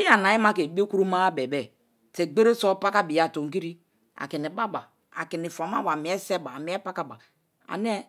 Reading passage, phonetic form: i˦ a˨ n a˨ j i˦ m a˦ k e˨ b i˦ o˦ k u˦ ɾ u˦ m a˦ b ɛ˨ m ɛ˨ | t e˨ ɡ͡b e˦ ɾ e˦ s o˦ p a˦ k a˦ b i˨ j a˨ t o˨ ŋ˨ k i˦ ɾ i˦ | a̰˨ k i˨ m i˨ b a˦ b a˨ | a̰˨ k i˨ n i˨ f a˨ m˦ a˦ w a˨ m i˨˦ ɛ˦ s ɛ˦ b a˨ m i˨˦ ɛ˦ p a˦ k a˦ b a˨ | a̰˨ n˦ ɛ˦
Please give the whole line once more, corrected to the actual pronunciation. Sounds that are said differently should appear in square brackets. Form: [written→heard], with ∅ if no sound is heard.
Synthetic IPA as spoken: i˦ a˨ n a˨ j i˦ m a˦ k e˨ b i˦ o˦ k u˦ ɾ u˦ m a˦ b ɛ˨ [m→b] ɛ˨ | t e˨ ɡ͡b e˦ ɾ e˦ s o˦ p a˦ k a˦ b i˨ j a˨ t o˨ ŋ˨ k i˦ ɾ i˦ | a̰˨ k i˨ [m→n] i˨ b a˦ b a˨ | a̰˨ k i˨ n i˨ f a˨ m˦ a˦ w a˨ m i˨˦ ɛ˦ s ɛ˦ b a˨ m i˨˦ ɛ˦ p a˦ k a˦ b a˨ | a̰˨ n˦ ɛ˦

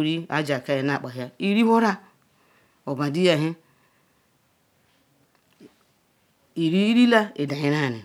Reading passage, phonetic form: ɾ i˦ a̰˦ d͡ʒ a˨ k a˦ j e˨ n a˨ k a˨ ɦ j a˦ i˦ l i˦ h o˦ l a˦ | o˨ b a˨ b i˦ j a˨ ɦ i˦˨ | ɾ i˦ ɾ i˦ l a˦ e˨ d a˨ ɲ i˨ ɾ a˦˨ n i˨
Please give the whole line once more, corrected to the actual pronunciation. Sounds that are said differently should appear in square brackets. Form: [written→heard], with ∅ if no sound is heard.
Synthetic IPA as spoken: ɾ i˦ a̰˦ d͡ʒ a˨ k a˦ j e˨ n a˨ [k→k͡p] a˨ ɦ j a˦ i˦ [l→ɾ] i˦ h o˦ [l→ɾ] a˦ | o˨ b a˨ [b→d] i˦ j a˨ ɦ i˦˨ | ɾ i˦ ɾ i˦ l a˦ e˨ d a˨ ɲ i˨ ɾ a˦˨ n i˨

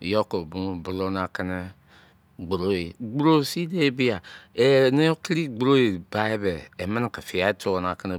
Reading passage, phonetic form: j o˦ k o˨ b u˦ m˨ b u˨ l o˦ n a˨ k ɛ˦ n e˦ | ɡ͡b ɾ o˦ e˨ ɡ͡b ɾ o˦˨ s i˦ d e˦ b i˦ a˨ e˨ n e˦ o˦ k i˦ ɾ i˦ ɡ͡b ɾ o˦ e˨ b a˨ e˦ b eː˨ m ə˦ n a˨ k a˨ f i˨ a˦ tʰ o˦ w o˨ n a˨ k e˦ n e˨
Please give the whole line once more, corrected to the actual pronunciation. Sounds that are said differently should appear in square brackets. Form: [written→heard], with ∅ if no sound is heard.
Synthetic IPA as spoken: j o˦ k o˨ b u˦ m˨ b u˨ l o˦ n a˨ k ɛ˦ n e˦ | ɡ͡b ɾ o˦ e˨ ɡ͡b ɾ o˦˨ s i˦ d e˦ b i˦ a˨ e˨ n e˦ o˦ k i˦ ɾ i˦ ɡ͡b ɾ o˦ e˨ b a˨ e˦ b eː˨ m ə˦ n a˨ k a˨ f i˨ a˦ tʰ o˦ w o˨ n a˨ k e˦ n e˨

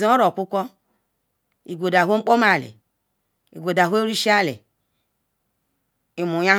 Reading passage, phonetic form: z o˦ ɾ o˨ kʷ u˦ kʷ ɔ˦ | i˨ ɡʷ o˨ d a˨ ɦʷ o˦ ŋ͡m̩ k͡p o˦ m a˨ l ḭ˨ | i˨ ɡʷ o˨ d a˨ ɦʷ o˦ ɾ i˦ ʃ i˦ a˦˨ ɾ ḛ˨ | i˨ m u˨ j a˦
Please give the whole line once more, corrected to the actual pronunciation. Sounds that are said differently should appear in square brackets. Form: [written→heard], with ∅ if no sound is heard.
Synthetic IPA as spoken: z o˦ ɾ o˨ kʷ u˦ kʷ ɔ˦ | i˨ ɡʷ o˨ d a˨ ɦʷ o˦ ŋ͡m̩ k͡p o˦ m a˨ l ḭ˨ | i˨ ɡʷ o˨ d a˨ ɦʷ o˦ ɾ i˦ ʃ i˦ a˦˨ [ɾ→l] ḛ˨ | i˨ m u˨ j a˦

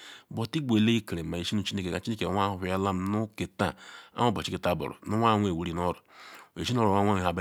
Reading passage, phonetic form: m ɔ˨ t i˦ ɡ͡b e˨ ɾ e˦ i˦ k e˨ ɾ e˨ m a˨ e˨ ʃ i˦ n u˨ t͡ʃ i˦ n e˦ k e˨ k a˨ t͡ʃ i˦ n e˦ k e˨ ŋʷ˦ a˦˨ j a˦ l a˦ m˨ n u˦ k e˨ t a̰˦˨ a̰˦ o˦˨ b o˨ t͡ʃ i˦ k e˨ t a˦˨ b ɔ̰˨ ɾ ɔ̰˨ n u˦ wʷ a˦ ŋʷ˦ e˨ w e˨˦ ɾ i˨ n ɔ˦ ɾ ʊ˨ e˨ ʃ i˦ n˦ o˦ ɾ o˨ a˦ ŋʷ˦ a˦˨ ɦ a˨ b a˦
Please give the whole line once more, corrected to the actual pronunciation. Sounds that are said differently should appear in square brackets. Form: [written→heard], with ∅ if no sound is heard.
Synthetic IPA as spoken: [m→b] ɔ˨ t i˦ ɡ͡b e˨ [ɾ→l] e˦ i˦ k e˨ ɾ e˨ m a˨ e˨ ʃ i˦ n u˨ t͡ʃ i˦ n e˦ k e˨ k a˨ t͡ʃ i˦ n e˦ k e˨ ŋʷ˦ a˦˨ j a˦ l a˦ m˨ n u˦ k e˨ t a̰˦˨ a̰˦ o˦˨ b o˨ t͡ʃ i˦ k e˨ t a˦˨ b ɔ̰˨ ɾ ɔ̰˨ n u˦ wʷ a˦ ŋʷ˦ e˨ w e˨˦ ɾ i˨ n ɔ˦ ɾ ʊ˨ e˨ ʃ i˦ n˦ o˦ ɾ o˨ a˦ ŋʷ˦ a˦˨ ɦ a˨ b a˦

